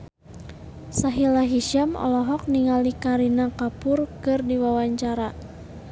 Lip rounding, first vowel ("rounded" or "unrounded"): unrounded